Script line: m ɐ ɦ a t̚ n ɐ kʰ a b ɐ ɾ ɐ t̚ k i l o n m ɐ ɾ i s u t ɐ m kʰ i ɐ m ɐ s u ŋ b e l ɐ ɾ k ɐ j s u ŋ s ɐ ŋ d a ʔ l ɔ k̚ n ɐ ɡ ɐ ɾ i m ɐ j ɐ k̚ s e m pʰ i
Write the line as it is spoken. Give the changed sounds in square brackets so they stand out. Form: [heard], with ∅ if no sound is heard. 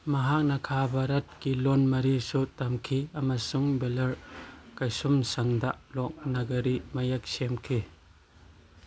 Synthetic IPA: m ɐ ɦ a [k̚] n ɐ kʰ a b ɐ ɾ ɐ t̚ k i l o n m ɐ ɾ i s u t ɐ m kʰ i ɐ m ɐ s u ŋ b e l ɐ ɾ k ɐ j s u [m] s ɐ ŋ d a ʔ l ɔ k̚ n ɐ ɡ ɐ ɾ i m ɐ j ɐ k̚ s e m [kʰ] i